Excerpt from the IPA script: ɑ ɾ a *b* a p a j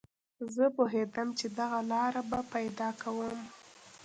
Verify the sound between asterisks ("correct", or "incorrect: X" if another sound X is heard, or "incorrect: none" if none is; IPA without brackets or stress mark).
correct